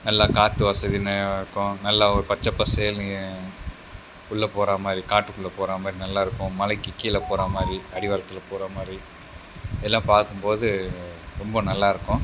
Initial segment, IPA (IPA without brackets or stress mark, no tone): n